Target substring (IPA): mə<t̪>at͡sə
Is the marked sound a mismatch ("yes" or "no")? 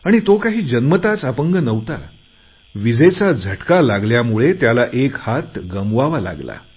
no